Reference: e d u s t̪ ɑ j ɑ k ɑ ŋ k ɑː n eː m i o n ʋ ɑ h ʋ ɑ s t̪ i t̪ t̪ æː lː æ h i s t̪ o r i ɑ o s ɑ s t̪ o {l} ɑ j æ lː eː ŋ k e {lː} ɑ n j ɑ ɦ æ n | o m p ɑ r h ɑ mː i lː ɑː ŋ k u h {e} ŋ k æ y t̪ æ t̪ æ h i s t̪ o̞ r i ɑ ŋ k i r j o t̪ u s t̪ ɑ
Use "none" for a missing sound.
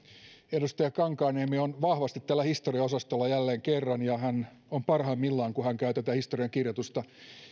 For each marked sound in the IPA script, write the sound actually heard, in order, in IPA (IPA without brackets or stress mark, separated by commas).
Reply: lː, rː, æ